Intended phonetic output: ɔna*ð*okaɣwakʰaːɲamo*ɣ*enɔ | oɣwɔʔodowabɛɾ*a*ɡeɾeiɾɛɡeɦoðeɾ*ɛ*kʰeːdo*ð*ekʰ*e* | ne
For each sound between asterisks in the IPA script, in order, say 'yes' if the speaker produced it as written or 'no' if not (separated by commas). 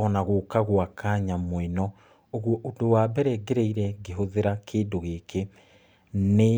no, no, no, no, no, yes